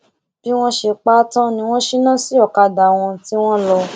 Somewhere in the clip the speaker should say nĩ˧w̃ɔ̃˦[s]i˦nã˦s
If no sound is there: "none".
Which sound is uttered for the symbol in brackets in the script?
ʃ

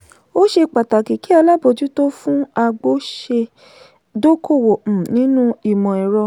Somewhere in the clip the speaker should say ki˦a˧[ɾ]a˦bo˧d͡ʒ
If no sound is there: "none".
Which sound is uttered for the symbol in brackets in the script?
l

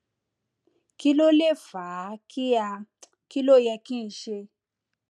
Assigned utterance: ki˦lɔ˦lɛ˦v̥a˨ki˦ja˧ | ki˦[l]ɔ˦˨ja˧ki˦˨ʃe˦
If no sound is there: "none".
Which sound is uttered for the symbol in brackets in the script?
l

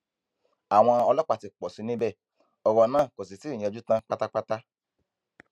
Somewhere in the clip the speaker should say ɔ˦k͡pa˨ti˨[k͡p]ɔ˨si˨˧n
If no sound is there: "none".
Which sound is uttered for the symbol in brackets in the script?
k͡p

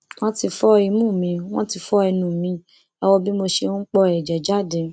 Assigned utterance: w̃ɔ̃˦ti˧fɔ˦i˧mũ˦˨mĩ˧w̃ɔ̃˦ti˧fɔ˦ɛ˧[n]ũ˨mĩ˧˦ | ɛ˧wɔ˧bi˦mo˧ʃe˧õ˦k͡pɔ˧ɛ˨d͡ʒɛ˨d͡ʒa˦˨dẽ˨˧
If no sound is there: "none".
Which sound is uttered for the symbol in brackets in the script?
n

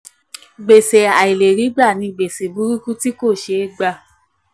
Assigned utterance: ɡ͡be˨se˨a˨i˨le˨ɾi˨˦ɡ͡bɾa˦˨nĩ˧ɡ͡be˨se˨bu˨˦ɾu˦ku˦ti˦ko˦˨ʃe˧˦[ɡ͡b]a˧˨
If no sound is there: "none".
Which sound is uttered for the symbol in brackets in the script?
ɡ͡b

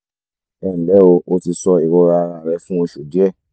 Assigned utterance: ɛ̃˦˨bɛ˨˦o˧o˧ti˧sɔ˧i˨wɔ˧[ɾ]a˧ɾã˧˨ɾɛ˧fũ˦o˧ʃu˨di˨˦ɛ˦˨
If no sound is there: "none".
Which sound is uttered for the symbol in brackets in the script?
ɾ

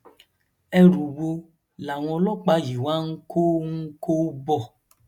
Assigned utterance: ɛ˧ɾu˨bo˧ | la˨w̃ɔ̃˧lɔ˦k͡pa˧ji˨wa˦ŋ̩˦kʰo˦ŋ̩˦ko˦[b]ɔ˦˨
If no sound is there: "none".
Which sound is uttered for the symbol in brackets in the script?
b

